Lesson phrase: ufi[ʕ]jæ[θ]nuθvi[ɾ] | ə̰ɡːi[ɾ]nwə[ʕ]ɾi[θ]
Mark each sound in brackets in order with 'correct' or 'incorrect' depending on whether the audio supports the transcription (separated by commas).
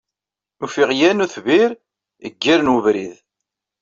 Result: incorrect, incorrect, correct, correct, incorrect, incorrect